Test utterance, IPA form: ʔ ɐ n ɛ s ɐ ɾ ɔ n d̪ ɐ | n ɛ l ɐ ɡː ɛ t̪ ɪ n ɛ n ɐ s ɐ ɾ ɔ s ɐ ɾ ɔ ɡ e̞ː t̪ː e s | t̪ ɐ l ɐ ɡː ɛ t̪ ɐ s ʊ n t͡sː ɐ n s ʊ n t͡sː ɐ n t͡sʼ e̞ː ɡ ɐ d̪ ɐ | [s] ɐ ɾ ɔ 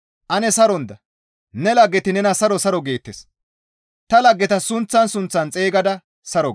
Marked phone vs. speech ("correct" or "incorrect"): correct